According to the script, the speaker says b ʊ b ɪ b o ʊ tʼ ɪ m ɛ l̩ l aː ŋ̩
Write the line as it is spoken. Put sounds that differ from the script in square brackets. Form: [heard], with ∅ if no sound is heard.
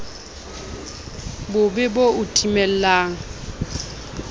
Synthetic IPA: b ʊ b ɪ b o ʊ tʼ [i] m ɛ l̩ l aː ŋ̩